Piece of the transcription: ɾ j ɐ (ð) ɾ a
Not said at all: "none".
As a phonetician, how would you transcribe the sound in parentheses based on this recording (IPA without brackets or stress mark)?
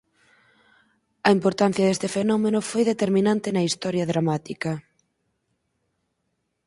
ð